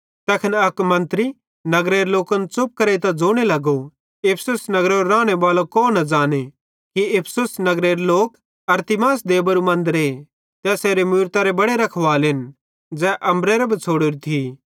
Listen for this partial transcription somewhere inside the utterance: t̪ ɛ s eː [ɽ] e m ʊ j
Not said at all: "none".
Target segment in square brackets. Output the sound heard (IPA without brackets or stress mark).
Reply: ɾ